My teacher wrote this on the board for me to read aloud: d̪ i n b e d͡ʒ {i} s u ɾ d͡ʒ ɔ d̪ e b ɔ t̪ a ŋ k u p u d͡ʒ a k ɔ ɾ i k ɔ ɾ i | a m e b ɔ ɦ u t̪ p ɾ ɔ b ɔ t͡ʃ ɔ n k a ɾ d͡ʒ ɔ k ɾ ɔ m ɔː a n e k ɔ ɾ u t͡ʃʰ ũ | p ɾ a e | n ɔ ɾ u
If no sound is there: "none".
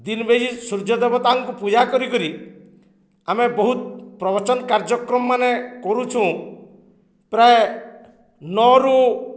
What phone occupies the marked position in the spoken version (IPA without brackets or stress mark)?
i